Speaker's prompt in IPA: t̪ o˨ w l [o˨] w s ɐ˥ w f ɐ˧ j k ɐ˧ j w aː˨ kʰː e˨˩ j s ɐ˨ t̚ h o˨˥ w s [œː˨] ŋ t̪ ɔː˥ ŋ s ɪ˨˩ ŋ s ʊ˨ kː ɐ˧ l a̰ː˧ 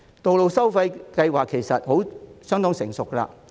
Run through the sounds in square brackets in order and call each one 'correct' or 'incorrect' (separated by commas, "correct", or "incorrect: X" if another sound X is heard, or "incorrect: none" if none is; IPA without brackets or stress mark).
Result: correct, incorrect: œː˥